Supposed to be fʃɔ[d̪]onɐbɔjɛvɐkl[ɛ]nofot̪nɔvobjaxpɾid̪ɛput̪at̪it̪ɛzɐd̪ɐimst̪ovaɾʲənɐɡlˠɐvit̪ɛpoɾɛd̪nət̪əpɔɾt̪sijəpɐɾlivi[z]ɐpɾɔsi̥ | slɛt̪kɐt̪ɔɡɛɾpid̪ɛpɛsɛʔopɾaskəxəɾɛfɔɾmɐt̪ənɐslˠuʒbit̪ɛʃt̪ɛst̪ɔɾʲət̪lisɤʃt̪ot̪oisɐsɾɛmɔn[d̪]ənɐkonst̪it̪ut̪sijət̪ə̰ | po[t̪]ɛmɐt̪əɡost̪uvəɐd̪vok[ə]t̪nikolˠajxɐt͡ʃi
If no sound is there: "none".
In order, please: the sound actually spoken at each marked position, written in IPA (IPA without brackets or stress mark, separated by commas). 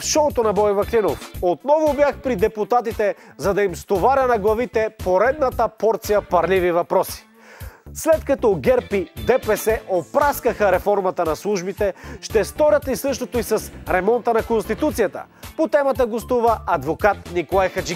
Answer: t̪, i, v, t̪, t̪, a